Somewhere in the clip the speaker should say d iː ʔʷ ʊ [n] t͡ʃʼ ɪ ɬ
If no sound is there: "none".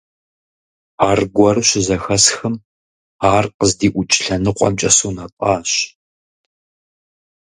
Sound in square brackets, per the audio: none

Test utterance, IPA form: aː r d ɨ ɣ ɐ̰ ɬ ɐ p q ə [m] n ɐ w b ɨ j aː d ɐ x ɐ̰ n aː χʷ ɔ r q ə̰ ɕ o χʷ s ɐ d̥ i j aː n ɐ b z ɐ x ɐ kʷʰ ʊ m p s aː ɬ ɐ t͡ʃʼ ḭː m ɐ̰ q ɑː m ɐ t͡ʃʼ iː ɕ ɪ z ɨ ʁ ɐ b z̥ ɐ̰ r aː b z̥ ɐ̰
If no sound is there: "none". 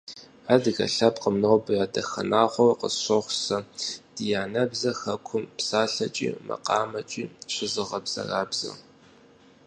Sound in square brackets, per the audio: m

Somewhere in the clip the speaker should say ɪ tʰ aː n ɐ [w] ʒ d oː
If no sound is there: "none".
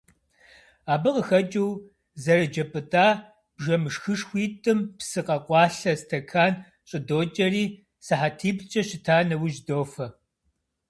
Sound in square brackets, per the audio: w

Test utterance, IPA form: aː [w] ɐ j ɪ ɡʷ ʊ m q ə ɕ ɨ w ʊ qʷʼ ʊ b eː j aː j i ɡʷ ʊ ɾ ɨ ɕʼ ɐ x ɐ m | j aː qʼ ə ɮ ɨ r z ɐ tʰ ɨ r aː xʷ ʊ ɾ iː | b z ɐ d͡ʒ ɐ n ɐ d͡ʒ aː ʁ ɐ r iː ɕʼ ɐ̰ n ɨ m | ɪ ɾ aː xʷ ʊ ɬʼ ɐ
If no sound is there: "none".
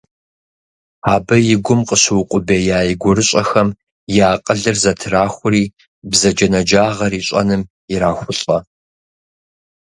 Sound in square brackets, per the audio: b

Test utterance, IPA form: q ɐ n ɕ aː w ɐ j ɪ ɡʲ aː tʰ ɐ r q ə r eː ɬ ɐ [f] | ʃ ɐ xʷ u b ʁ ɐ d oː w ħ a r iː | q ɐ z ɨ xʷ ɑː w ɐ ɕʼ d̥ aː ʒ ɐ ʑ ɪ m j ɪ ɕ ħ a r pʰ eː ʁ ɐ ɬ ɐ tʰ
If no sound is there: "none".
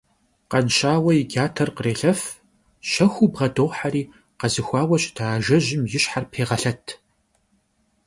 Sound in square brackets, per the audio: f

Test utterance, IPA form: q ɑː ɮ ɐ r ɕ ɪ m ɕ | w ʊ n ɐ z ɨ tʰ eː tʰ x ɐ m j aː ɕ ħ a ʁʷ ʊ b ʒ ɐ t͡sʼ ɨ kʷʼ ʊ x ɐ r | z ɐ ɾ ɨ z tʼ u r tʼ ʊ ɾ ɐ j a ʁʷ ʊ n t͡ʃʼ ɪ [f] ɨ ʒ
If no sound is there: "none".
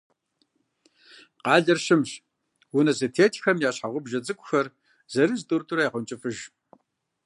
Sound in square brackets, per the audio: f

